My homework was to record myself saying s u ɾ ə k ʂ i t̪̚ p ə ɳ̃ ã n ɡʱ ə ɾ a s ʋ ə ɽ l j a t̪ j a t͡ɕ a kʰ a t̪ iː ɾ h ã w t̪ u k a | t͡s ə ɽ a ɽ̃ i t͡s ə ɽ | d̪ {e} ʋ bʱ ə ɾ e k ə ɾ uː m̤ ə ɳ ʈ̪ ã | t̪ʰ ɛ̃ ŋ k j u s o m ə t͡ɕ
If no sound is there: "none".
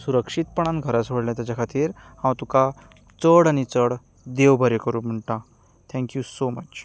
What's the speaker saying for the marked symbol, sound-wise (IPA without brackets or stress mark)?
e